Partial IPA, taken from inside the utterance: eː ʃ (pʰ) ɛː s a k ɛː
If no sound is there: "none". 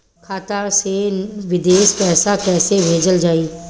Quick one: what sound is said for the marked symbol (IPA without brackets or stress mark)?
p